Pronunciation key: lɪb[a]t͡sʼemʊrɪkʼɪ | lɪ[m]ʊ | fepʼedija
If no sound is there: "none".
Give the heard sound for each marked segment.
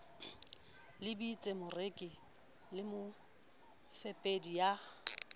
i, m

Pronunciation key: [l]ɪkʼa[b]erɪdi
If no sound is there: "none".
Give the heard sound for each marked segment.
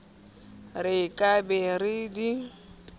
r, b

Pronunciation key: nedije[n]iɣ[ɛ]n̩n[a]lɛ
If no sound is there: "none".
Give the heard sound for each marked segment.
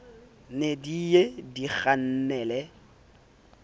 d, a, ɛ

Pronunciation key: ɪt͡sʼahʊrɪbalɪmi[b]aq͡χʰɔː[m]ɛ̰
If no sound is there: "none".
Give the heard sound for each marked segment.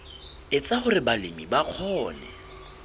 b, n

